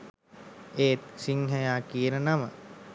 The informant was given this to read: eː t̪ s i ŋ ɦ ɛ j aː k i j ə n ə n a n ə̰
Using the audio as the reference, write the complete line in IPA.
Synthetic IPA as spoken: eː t̪ s i ŋ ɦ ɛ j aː k i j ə n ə n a m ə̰